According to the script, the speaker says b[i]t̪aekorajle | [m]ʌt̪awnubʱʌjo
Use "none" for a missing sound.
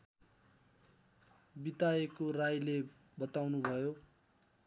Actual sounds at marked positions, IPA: i, b

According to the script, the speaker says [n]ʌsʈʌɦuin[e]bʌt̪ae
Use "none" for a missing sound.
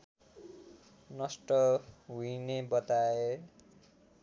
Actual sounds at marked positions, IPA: n, e

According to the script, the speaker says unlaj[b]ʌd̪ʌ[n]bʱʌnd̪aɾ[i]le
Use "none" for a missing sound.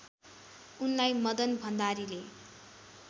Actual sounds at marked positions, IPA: m, n, i

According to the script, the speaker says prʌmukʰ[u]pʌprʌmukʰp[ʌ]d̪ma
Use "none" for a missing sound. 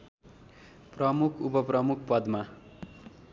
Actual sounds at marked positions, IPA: u, ʌ

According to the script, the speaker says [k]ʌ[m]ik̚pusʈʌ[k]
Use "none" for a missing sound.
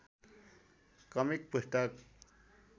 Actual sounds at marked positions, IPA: k, m, k

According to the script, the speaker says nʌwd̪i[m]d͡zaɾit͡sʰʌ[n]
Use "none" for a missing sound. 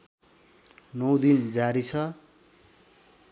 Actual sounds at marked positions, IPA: n, none

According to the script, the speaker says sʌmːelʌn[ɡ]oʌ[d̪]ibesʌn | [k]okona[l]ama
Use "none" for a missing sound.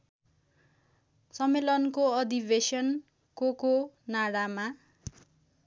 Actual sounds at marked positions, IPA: k, d̪, k, ɽ

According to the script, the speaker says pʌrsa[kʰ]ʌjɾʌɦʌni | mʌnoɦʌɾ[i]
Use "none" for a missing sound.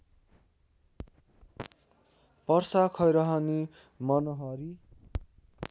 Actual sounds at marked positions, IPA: kʰ, i

